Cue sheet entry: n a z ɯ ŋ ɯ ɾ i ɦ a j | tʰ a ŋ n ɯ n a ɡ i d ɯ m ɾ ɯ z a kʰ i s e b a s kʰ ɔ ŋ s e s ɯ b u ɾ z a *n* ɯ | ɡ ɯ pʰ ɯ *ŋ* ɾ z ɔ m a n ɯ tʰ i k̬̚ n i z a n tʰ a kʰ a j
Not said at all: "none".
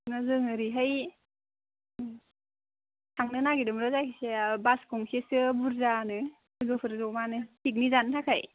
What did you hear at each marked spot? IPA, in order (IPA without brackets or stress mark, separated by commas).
n, none